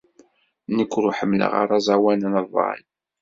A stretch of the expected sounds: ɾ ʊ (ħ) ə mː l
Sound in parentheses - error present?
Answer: no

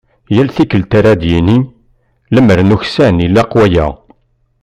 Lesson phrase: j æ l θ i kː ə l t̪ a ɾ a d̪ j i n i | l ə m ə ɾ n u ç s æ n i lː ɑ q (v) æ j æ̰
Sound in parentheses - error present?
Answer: yes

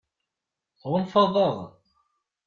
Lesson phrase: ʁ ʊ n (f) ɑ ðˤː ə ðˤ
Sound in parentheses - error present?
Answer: no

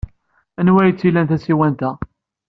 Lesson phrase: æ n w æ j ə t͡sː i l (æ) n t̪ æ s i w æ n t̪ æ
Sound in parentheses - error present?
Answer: no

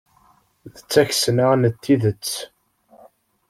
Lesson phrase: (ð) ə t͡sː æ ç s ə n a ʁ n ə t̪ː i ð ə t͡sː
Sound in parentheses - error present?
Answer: no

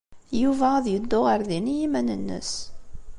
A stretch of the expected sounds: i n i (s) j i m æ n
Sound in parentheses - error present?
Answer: yes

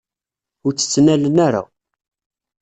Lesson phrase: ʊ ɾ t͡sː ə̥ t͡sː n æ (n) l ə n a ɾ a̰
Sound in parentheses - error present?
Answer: yes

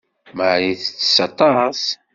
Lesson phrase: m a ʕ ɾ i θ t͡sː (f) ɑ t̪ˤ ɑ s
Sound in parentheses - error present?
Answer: yes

